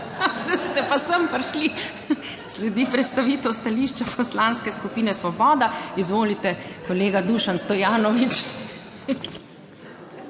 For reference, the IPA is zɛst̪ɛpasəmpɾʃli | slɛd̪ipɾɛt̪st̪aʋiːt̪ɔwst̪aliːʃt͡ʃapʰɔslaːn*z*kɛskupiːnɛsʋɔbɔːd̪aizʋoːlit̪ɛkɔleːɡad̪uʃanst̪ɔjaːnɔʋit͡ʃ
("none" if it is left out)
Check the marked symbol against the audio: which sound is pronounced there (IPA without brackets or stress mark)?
s